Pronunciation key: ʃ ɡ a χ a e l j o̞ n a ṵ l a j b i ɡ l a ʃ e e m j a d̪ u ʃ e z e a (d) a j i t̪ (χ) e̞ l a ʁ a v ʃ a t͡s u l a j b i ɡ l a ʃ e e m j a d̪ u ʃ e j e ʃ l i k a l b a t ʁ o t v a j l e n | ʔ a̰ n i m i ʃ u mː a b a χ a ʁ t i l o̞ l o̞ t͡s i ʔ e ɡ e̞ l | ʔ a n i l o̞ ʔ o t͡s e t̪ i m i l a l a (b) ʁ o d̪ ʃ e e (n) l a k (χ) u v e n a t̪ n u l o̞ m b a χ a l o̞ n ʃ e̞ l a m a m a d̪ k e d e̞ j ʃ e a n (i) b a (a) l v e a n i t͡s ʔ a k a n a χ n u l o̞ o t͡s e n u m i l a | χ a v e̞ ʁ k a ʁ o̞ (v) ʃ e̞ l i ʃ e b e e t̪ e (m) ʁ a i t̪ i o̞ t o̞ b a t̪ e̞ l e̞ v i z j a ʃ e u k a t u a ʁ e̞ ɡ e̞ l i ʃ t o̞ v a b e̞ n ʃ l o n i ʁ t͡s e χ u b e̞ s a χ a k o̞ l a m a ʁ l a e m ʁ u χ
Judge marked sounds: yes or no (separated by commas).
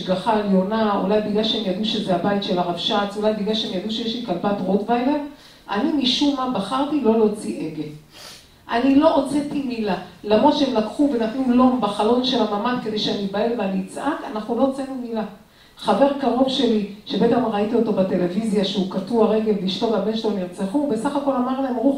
no, no, no, no, yes, yes, no, yes, yes